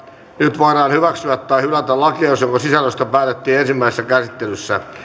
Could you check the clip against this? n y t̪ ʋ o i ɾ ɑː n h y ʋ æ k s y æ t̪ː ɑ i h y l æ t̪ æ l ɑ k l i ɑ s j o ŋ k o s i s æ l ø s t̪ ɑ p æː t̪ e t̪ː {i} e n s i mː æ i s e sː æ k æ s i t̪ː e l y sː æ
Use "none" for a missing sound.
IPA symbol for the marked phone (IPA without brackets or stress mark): iː